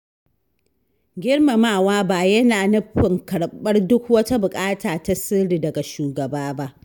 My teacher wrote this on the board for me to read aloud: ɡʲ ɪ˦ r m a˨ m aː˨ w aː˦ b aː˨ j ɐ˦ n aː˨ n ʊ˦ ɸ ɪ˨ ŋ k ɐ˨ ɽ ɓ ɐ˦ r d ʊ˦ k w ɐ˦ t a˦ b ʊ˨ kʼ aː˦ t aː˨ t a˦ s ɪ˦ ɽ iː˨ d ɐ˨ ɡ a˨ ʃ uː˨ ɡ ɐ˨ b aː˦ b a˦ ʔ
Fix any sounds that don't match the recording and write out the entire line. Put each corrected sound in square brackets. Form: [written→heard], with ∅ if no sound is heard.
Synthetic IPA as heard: ɡʲ ɪ˦ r m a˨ m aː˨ w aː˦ b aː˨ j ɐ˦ n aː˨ n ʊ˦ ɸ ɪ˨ ŋ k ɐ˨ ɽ ɓ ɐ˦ r d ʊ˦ k w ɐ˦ t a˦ b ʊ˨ kʼ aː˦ t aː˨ t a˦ s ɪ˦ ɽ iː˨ d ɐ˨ ɡ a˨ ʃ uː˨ ɡ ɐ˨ b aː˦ b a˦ ʔ